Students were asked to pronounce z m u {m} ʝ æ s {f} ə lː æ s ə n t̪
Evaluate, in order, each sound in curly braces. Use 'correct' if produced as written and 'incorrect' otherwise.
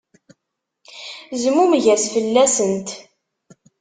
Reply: correct, correct

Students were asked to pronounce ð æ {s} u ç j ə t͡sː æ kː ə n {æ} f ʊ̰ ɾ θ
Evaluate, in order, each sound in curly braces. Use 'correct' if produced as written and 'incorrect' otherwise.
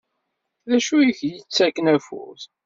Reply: incorrect, correct

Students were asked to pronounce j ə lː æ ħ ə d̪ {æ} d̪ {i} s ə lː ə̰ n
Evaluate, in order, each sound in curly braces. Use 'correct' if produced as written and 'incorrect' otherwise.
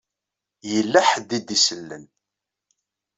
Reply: incorrect, correct

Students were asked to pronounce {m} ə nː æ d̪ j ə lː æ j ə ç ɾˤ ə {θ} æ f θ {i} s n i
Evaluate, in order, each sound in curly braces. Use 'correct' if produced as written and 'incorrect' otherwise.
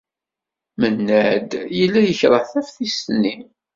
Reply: correct, correct, correct

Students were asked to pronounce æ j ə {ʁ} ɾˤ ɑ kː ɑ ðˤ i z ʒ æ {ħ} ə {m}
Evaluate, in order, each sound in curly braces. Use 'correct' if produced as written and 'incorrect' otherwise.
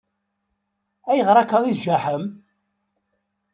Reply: correct, correct, correct

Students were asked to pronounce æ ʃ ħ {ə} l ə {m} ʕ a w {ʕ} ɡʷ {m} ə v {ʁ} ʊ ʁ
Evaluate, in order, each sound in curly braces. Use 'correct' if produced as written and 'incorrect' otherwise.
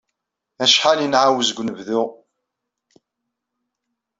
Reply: incorrect, incorrect, incorrect, incorrect, incorrect

